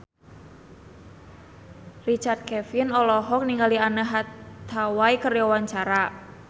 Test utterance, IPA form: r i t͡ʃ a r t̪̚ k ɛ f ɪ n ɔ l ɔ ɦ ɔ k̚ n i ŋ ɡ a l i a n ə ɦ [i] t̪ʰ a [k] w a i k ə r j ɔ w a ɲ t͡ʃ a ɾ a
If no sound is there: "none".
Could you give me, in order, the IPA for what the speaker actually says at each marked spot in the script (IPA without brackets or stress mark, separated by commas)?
a, none